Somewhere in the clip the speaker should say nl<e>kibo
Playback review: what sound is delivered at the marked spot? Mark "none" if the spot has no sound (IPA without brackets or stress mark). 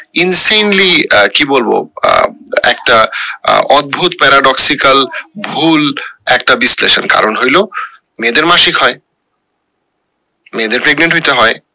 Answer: i